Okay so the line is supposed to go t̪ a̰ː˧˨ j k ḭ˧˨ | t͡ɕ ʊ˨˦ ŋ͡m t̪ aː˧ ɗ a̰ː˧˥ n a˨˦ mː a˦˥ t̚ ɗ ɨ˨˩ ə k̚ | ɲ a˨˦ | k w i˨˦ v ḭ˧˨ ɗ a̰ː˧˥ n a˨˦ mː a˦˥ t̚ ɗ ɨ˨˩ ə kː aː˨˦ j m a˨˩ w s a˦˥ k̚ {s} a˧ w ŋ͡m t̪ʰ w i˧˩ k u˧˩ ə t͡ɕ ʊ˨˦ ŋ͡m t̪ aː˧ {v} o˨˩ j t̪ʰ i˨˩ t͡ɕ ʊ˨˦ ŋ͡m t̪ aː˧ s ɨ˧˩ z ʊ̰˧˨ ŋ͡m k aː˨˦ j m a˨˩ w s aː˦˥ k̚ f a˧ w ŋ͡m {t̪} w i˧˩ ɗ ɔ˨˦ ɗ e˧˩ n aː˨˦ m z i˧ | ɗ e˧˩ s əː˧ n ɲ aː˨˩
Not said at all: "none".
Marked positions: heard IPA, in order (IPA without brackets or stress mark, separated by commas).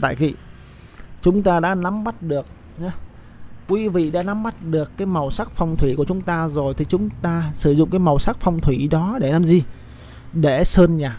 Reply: f, z, t̪ʰ